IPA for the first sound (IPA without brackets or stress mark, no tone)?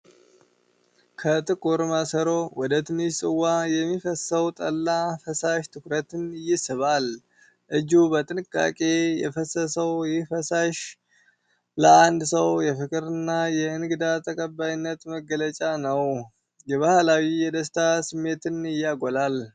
kʰ